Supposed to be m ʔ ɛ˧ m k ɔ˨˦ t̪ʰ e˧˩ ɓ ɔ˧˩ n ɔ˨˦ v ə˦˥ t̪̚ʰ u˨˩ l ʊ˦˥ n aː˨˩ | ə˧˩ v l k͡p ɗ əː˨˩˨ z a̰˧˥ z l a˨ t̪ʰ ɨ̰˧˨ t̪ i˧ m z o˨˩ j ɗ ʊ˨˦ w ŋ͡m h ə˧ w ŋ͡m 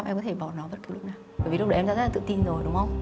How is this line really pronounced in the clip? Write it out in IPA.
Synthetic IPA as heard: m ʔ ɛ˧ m k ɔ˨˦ t̪ʰ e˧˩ ɓ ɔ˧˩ n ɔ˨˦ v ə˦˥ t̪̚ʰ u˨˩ l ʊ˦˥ n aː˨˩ | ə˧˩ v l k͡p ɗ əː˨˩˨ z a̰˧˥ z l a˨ t̪ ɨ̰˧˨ t̪ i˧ n z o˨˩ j ɗ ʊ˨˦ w ŋ͡m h ə˧ w ŋ͡m